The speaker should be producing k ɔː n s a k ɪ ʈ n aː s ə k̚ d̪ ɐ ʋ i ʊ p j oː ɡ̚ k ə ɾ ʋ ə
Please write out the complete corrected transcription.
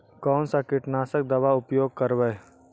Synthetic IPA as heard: k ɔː n s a k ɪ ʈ n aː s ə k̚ d̪ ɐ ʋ a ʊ p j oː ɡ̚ k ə ɾ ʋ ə